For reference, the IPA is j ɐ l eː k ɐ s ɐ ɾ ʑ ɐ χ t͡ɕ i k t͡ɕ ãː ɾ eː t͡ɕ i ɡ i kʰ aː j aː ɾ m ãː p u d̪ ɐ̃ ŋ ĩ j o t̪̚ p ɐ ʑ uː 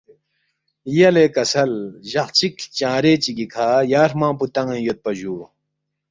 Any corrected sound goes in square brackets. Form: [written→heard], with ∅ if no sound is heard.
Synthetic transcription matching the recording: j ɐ l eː k ɐ s ɐ [ɾ→l] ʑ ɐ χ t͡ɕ i k t͡ɕ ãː ɾ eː t͡ɕ i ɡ i kʰ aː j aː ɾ m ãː p u [d̪→t̪] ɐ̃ ŋ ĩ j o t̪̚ p ɐ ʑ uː